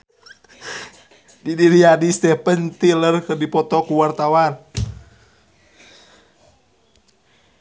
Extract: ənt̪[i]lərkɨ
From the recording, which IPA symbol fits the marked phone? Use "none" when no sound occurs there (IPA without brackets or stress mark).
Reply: i